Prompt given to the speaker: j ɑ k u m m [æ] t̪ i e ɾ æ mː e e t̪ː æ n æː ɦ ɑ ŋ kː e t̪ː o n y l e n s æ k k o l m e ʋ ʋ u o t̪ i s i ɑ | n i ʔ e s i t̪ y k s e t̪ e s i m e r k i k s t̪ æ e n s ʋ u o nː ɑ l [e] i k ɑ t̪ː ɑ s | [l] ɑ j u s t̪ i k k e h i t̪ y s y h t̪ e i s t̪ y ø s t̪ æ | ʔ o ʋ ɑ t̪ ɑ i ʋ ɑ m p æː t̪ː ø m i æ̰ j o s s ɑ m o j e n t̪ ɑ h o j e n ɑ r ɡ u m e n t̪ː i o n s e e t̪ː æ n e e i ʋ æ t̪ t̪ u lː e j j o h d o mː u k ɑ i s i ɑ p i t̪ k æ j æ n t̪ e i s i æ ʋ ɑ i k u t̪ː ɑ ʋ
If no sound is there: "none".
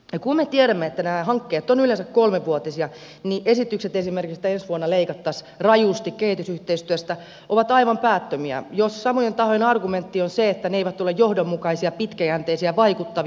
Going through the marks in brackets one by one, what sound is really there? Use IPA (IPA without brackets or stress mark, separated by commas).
e, e, r